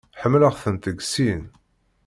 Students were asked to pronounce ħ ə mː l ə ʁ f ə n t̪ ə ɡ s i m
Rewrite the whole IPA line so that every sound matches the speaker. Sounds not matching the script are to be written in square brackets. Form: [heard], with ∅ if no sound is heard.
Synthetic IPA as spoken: ħ ə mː l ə ʁ [θ] ə n t̪ ə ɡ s i [n]